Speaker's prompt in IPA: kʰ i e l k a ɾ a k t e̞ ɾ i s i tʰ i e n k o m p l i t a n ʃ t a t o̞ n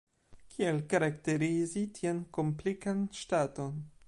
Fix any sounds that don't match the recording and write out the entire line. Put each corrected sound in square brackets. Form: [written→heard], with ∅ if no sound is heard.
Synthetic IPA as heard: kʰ i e l k a ɾ a k t e̞ ɾ i [s→z] i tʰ i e n k o m p l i [t→k] a n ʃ t a t o̞ n